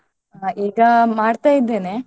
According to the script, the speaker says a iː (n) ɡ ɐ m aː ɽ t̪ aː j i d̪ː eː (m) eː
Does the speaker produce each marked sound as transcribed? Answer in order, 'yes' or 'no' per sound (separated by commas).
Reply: no, no